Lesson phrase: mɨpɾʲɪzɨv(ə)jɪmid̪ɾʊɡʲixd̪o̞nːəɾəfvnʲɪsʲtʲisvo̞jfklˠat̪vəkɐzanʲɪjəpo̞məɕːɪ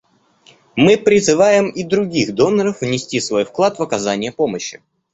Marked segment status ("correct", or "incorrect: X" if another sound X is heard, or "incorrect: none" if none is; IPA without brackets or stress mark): incorrect: a